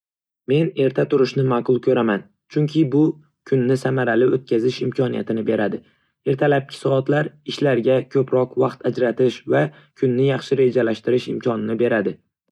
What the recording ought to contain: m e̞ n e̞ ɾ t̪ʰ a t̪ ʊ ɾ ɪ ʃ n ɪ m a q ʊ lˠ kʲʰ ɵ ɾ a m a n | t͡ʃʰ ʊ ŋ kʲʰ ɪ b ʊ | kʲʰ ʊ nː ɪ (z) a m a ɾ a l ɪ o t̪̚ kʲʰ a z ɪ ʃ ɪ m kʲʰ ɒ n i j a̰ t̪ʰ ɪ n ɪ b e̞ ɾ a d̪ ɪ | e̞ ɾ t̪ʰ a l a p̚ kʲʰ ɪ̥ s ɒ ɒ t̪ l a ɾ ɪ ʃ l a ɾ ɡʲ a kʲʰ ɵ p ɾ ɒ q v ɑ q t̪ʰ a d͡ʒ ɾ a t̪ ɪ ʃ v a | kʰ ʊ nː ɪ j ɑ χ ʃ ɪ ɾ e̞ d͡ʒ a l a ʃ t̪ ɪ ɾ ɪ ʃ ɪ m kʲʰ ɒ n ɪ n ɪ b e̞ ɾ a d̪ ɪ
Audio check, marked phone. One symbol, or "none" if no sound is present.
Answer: s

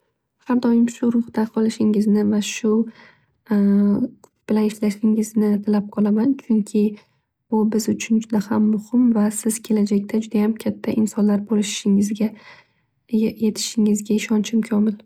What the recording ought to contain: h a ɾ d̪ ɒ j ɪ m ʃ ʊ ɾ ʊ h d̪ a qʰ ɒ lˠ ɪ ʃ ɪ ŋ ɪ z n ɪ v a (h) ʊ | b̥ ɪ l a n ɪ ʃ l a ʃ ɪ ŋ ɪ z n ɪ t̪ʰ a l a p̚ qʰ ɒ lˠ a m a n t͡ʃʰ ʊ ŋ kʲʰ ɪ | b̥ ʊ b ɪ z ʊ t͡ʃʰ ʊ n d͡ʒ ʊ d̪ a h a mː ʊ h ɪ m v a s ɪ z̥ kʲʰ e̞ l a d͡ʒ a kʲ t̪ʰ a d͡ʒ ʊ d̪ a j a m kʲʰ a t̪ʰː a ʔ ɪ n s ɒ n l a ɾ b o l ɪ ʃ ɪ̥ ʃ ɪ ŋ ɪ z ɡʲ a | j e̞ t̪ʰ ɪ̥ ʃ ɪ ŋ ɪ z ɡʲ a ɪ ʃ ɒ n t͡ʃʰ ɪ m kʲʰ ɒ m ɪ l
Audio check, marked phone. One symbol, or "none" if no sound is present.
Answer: ʃ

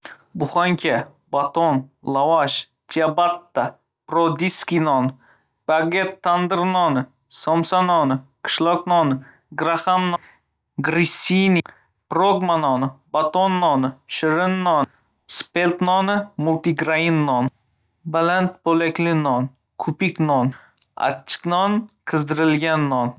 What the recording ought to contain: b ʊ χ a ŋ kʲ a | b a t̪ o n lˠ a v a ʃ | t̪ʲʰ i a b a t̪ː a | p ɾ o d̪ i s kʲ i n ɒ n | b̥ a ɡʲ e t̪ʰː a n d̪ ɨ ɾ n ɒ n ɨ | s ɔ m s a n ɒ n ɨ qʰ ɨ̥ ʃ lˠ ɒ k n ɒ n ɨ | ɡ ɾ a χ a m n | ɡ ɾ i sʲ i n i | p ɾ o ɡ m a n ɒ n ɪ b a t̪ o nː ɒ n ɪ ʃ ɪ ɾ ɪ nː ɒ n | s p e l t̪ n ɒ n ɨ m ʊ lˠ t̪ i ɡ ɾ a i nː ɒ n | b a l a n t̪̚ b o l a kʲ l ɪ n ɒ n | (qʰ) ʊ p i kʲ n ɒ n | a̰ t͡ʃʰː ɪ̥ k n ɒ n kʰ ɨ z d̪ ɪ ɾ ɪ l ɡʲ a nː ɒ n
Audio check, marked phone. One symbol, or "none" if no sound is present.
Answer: kʰ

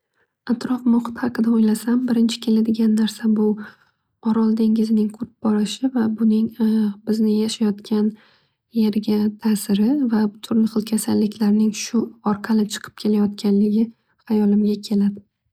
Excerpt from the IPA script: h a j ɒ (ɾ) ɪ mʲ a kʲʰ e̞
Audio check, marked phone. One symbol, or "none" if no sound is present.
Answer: l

